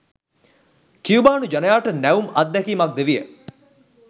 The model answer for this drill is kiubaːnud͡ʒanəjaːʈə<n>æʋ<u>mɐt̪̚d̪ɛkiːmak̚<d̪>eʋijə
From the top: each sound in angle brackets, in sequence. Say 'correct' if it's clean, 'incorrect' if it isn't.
correct, correct, correct

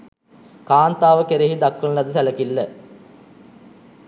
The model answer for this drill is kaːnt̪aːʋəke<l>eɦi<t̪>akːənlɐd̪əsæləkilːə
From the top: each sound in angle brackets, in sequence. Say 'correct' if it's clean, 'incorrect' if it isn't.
incorrect: ɾ, incorrect: d̪

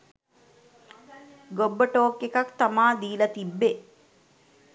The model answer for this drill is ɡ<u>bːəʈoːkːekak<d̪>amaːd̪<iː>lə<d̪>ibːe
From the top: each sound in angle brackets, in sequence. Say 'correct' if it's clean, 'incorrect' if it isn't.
incorrect: o, incorrect: t̪, correct, incorrect: t̪

